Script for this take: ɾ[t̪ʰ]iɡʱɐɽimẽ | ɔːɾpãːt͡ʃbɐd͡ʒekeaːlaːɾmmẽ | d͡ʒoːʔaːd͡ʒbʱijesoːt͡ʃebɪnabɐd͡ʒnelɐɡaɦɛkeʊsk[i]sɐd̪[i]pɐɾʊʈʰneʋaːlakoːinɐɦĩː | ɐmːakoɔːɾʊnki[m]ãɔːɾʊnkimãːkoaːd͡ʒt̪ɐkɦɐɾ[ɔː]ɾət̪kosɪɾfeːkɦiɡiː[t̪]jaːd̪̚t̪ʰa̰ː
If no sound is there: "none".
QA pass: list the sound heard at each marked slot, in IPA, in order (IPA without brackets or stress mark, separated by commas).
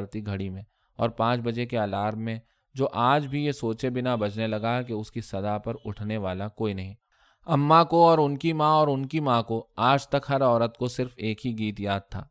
t̪, i, a, m, ɔː, t̪